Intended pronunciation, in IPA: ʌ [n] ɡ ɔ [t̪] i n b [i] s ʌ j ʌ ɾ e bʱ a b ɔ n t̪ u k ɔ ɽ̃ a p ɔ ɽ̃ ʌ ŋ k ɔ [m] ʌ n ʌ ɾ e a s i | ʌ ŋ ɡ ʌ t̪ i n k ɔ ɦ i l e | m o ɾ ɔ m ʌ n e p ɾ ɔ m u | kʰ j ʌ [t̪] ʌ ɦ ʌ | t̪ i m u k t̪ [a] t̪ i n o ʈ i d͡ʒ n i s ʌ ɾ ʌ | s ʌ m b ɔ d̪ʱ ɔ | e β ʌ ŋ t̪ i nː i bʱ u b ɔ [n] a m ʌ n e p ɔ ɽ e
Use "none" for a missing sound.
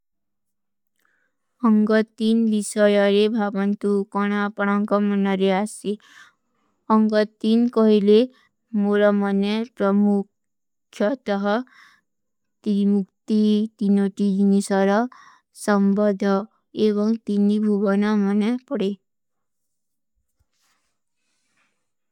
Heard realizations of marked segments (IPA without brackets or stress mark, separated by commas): ŋ, t̪, i, m, t̪, i, n